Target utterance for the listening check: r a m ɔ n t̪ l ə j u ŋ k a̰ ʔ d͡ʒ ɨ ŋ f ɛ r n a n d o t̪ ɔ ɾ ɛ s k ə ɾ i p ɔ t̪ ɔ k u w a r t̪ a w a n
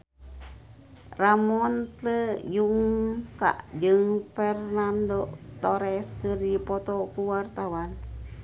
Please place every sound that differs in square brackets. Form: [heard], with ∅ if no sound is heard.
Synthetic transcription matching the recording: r a m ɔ n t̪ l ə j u ŋ k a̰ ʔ d͡ʒ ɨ ŋ f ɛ r n a n d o t̪ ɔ ɾ ɛ s k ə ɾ i p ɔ t̪ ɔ k u w a r t̪ a w a n